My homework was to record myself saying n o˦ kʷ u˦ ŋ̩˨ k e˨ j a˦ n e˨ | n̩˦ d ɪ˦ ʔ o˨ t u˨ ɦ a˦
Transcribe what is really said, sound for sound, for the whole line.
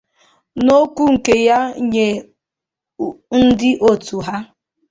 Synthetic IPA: n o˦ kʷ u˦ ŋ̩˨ k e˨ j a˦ ɲ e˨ | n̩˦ d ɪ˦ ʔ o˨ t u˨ ɦ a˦